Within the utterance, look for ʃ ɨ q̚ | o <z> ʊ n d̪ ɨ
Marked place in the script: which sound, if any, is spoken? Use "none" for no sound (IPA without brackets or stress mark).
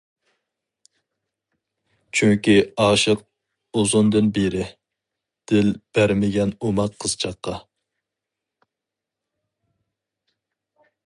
z